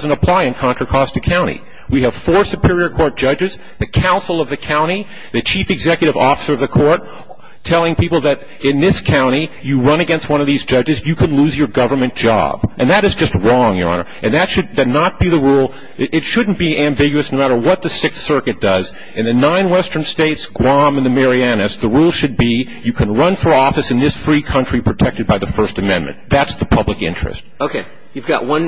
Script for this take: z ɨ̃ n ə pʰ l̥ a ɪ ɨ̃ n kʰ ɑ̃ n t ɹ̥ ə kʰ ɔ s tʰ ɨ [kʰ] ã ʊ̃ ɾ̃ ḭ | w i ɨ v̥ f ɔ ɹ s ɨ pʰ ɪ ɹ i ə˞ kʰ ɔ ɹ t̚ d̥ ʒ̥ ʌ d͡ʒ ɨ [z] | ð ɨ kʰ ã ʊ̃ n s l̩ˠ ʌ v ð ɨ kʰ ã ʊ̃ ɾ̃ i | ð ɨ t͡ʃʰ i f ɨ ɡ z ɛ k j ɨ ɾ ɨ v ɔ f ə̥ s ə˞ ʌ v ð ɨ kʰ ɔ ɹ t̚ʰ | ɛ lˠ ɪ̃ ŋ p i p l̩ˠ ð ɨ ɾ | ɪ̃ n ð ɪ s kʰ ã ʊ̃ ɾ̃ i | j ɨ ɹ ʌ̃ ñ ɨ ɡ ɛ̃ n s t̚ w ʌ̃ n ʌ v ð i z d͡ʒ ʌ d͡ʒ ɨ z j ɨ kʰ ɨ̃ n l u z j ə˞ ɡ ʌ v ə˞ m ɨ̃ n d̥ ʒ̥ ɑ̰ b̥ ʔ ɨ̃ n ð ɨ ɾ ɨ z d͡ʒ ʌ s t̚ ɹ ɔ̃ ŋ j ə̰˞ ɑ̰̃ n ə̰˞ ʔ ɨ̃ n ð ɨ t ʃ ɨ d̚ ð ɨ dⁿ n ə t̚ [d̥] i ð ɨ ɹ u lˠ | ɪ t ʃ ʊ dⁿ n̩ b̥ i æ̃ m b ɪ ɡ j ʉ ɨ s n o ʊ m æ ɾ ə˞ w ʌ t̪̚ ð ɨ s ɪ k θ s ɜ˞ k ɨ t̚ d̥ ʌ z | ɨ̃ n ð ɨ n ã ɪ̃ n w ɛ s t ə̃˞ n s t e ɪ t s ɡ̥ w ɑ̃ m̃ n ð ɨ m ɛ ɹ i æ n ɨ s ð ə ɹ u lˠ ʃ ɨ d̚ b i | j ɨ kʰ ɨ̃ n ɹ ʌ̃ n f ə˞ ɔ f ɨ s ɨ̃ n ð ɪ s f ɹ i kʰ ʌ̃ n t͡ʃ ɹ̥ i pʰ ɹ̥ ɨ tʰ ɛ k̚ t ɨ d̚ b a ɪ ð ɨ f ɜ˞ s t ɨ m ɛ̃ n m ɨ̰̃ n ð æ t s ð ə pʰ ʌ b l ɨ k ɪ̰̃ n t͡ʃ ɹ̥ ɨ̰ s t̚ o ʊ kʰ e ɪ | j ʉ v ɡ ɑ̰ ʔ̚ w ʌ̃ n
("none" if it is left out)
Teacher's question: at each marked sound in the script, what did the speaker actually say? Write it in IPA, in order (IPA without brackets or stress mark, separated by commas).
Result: kʰ, z, b̥